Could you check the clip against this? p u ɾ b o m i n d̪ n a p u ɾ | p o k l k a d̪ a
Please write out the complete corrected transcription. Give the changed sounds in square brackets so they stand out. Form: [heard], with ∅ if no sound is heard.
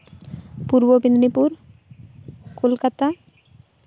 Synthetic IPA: p u ɾ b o [b] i n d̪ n [i] p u ɾ | [k] o [∅] l k a [t̪] a